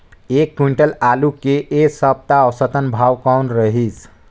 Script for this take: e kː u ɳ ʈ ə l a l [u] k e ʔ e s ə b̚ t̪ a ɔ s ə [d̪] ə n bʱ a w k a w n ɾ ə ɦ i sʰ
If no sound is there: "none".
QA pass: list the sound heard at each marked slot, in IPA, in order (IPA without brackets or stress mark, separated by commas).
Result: u, t̪